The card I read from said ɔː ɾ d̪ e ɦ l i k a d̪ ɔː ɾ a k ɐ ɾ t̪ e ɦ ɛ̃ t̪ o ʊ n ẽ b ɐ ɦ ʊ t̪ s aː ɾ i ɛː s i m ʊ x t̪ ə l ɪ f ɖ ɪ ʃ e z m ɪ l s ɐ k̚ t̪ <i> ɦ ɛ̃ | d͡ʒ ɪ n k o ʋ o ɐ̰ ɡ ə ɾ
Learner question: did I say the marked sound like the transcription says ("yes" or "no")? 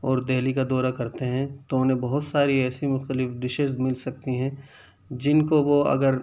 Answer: yes